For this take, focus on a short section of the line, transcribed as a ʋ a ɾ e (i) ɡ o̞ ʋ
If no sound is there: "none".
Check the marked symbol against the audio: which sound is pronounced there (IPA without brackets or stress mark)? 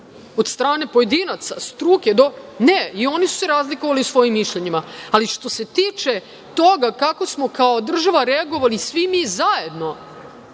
a